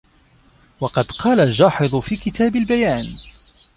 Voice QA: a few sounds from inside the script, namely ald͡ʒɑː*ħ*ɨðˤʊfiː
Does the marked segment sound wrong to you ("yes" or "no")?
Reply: no